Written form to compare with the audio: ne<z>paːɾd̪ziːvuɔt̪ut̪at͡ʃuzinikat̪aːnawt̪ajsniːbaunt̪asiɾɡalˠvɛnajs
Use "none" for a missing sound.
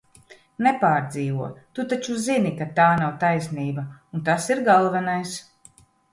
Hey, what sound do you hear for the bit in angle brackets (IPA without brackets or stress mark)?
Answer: none